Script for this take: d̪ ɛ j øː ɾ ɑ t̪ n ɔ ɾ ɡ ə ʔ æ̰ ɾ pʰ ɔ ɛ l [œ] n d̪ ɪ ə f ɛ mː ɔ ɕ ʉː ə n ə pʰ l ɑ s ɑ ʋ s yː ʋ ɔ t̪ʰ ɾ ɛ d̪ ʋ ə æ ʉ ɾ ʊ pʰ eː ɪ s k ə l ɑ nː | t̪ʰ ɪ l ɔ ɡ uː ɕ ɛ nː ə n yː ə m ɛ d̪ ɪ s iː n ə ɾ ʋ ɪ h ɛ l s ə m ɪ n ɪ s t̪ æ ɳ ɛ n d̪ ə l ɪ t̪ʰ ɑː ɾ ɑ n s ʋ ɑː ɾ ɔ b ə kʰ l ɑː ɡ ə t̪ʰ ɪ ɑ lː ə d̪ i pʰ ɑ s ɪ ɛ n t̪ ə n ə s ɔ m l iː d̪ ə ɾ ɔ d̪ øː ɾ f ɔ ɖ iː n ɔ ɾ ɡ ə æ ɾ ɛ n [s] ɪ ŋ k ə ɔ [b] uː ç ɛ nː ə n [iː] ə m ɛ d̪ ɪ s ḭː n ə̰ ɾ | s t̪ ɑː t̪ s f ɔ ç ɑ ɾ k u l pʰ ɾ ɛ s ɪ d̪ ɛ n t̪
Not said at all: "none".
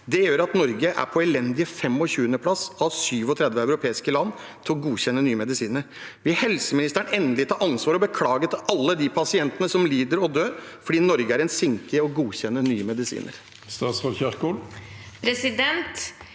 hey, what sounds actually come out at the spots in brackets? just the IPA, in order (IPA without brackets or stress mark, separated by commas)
ɛ, s, ɡ, yː